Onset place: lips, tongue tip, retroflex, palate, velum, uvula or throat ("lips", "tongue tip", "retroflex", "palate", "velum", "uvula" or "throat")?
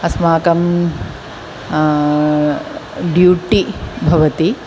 tongue tip